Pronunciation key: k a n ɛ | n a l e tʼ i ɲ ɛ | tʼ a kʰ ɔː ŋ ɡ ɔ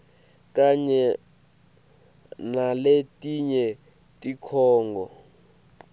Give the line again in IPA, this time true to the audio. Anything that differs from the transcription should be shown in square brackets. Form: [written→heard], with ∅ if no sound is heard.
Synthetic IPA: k a [n→ɲ] ɛ | n a l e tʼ i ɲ ɛ | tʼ [a→i] kʰ ɔː ŋ ɡ ɔ